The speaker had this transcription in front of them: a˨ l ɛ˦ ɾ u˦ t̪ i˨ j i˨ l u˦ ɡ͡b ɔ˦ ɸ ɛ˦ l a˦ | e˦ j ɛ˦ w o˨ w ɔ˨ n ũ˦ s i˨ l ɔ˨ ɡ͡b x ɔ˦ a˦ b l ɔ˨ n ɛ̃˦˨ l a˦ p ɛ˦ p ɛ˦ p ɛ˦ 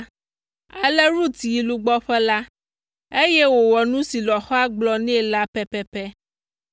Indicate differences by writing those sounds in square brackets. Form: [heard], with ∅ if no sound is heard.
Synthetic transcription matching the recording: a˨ l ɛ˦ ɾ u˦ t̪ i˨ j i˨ l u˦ ɡ͡b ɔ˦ ɸ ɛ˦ l a˦ | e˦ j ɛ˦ w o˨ w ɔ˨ n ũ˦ s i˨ l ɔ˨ [∅] x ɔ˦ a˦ [ɡ͡b] l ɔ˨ n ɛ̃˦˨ l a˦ p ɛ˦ p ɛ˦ p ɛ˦